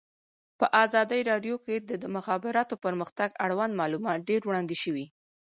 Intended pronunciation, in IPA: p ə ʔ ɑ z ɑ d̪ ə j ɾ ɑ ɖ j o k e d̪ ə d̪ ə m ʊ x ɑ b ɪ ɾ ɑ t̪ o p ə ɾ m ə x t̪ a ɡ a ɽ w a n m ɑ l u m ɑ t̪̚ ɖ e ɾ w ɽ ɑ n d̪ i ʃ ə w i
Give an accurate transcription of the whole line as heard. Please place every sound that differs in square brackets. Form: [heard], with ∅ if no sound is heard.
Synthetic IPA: p ə ʔ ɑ z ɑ d̪ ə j ɾ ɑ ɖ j o k e d̪ ə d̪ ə m ʊ x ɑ b ɪ ɾ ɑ t̪ o p ə ɾ m ə x t̪ a ɡ a ɽ w a n m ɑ l u m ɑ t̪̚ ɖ e ɾ w ɽ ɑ n d̪ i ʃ ə w i